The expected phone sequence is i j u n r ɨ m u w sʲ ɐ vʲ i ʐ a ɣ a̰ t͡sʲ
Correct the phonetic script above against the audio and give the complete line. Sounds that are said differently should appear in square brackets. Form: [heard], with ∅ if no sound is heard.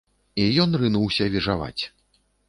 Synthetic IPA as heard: i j [ɔ] n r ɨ [n] u w sʲ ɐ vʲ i ʐ a [v] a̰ t͡sʲ